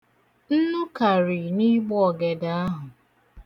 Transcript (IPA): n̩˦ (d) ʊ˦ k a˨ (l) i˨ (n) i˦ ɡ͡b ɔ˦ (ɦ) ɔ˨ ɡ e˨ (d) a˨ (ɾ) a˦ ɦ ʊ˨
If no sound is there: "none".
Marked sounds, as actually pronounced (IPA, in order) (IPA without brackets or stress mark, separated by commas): n, ɾ, n, none, d, none